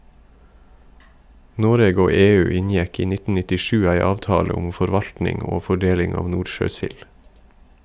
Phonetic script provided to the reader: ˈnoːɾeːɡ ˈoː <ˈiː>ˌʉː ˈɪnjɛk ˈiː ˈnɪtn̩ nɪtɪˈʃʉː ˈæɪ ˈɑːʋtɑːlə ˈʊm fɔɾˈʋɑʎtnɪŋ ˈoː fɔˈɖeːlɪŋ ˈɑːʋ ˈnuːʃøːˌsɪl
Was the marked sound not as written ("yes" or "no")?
yes